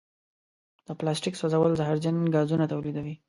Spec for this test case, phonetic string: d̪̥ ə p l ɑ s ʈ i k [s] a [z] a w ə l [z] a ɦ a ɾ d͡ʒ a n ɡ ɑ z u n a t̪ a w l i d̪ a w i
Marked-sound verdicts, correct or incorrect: correct, correct, correct

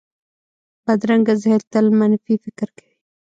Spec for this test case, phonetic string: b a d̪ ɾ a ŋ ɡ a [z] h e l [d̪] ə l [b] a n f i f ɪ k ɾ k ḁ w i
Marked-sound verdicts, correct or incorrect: correct, incorrect, incorrect

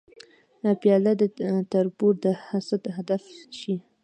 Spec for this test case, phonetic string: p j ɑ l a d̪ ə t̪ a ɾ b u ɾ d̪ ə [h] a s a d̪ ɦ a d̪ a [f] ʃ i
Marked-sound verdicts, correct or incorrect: correct, correct

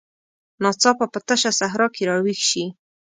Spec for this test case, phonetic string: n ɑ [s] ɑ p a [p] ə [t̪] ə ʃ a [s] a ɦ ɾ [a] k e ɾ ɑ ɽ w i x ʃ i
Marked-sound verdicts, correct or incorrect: incorrect, correct, correct, correct, incorrect

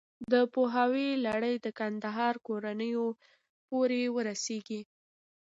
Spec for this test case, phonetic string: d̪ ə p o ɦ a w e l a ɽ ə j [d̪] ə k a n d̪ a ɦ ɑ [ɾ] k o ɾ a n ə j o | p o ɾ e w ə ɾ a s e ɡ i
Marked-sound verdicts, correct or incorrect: correct, correct

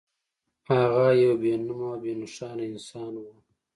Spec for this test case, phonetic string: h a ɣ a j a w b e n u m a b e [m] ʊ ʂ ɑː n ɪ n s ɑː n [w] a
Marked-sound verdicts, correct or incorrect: incorrect, correct

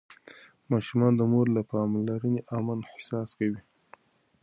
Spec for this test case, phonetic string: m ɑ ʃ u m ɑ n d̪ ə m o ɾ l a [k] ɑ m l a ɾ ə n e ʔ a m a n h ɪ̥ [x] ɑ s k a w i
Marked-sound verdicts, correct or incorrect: incorrect, incorrect

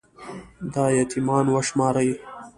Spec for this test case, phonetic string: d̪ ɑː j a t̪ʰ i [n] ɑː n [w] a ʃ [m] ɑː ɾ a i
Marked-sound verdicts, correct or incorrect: incorrect, correct, correct

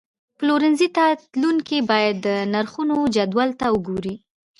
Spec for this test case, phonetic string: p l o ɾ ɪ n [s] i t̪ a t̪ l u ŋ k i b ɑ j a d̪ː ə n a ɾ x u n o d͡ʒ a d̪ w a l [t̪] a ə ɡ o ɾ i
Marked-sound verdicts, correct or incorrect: incorrect, correct

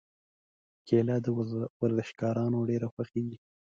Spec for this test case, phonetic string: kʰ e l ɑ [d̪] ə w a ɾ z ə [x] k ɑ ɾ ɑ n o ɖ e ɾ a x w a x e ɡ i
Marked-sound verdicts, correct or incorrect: correct, incorrect

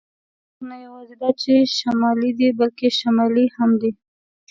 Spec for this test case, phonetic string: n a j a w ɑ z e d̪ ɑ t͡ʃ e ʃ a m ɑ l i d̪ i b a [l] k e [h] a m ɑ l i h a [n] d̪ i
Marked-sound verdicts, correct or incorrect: correct, incorrect, incorrect

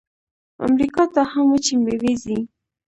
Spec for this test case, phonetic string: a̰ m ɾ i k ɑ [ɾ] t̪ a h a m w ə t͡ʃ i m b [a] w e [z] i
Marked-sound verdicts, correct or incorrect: incorrect, incorrect, correct

